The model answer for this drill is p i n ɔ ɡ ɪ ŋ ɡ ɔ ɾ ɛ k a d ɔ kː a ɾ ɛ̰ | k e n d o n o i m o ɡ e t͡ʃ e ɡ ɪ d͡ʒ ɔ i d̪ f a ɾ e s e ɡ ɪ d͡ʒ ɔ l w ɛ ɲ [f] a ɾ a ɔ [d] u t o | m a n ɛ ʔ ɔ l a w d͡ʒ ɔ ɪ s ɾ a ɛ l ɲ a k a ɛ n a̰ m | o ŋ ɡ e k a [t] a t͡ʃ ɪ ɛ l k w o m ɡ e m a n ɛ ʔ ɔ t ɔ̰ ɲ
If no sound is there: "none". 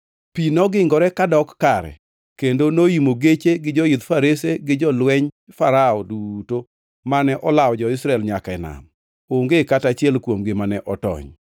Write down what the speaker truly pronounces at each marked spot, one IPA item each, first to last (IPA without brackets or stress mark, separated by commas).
f, d, t